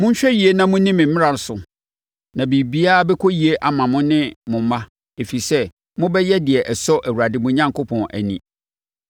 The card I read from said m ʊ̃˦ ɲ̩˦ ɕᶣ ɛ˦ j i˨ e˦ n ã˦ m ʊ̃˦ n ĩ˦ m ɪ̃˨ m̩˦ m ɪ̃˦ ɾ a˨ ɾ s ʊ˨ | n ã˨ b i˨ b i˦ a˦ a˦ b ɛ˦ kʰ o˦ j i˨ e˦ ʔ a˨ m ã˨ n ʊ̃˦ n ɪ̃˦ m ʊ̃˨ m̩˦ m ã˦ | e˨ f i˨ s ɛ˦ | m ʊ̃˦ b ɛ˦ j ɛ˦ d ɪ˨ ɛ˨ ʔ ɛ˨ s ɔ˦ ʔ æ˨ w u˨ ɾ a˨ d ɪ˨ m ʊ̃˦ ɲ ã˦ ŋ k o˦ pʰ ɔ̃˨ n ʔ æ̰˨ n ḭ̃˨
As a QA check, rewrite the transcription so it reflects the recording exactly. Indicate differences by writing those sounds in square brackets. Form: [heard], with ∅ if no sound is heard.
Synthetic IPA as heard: m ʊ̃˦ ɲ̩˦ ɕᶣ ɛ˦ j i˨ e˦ n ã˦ m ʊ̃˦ n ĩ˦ m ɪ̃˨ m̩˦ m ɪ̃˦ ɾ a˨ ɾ s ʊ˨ | n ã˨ b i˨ b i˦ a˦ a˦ b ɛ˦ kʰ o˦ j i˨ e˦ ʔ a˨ m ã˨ [m] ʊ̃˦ n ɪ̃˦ m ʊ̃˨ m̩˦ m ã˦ | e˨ f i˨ s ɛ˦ | m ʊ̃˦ b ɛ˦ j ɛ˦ d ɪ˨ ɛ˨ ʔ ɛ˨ s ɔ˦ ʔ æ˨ w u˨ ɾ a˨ d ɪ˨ m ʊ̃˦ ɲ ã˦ ŋ k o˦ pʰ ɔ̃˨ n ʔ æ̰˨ n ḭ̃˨